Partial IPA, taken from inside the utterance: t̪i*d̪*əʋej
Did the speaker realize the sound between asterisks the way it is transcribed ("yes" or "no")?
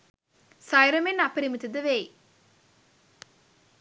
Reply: yes